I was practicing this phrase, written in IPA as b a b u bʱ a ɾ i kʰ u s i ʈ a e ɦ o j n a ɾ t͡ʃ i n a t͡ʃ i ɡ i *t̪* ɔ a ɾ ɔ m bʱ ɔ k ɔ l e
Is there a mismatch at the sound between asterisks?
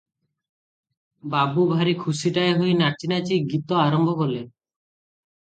no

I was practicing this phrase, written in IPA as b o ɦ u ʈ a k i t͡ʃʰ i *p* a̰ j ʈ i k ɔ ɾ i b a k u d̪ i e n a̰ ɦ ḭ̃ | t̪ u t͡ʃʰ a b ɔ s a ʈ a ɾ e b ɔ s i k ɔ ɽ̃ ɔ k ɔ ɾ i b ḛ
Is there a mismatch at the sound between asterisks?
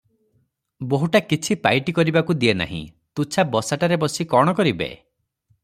no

